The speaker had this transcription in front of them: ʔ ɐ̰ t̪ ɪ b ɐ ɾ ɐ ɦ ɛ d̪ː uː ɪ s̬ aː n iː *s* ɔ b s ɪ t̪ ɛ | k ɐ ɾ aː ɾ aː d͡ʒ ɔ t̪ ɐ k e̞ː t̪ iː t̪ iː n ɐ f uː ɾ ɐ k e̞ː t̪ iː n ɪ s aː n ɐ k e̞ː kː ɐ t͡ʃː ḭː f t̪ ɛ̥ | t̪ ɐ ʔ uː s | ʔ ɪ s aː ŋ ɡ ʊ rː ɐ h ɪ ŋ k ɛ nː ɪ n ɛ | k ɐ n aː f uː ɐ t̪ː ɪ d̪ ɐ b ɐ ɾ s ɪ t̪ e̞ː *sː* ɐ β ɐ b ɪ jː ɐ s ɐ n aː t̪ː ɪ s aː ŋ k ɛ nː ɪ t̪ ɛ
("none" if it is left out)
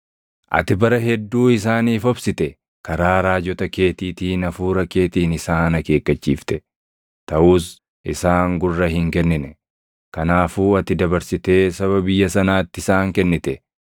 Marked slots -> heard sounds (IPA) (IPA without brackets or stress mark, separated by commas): f, s